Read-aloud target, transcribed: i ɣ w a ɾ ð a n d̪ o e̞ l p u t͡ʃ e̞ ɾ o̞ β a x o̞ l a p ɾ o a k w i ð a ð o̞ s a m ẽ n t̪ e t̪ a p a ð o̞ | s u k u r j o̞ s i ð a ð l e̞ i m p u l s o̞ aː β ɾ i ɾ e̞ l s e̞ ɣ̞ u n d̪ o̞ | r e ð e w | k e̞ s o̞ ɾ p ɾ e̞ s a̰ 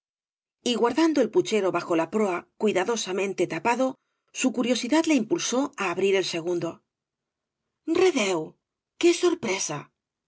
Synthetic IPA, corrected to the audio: i ɣ w a ɾ ð a n d̪ o e̞ l p u t͡ʃ e̞ ɾ o̞ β a x o̞ l a p ɾ o a k w i ð a ð o̞ s a m ẽ n t̪ e t̪ a p a ð o̞ | s u k u ɾ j o̞ s i ð a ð l e̞ i m p u l s o̞ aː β ɾ i ɾ e̞ l s e̞ ɣ̞ u n d̪ o̞ | r e ð e w | k e̞ s o̞ ɾ p ɾ e̞ s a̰